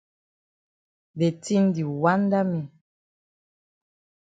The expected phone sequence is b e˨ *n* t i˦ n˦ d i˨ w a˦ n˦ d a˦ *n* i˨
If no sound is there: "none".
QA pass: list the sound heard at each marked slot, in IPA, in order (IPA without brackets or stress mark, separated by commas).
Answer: none, m